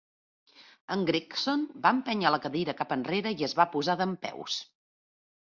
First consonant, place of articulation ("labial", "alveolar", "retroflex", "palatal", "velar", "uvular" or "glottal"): velar